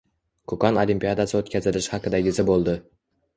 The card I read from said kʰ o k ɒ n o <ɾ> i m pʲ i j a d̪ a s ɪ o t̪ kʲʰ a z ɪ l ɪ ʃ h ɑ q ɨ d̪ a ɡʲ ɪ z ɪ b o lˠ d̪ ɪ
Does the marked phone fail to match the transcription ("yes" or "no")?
yes